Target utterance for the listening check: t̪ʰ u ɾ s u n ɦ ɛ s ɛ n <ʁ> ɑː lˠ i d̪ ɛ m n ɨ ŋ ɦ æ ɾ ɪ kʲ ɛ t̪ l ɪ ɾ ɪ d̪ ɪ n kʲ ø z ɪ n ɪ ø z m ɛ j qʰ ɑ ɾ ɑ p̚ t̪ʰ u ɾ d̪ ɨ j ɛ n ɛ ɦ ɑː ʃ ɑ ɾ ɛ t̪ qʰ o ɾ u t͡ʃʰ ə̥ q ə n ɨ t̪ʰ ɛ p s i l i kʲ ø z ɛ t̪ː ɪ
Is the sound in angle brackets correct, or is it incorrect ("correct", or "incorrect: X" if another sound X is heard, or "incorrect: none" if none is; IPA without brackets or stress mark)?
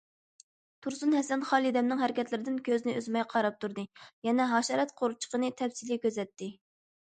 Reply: incorrect: χ